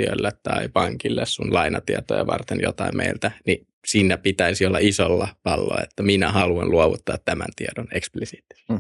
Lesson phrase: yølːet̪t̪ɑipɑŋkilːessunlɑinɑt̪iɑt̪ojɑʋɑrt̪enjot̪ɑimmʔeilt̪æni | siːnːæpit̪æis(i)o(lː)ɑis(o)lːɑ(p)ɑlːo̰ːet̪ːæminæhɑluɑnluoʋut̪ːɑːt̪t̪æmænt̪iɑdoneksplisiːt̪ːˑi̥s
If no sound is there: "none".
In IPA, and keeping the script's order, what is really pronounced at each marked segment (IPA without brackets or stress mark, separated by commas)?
i, lː, o, p